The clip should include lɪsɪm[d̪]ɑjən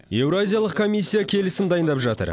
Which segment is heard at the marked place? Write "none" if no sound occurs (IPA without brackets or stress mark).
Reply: d̪